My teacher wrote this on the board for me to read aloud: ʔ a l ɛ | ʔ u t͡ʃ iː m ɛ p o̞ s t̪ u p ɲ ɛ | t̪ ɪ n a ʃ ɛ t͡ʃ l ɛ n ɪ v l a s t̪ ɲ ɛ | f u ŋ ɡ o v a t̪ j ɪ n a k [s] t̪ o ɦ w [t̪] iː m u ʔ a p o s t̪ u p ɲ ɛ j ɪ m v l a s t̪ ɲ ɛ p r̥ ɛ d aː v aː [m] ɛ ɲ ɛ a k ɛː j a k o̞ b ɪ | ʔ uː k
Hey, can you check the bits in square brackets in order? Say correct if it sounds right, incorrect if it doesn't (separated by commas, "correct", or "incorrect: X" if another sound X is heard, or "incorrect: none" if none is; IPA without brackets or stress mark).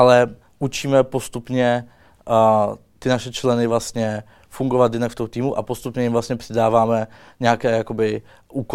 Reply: incorrect: f, correct, correct